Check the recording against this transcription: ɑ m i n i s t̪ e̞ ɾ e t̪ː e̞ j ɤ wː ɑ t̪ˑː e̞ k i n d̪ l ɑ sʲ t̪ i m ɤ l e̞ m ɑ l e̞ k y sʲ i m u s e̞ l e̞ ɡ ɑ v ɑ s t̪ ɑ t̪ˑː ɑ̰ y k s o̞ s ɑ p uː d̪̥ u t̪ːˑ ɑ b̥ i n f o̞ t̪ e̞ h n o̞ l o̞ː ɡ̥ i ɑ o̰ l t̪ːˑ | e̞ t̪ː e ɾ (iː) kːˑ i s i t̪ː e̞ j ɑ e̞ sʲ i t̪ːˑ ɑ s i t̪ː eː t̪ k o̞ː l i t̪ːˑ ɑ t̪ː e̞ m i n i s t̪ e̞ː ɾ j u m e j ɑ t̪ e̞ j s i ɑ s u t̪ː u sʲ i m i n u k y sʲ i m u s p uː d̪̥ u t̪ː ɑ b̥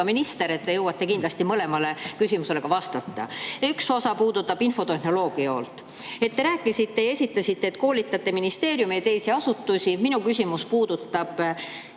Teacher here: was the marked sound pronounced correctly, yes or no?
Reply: no